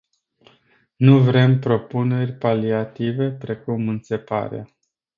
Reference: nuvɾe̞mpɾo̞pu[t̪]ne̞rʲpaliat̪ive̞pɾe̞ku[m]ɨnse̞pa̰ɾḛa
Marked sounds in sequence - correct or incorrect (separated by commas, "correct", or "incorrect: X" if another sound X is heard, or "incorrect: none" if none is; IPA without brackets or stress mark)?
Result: incorrect: none, correct